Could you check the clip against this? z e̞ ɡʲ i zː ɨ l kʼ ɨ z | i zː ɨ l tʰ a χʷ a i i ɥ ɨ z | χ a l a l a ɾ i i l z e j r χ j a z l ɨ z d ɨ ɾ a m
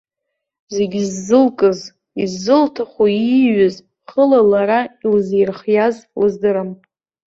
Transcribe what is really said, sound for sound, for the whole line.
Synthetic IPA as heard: z e̞ ɡʲ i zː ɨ l kʼ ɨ z | i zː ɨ l tʰ a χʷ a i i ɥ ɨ z | χ ə l a l a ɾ a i l z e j r χ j a z l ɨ z d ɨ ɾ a m